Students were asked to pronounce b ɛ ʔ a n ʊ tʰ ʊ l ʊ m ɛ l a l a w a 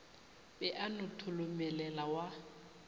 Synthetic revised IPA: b ɛ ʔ a n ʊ tʰ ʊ l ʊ m ɛ l ɛ l a w a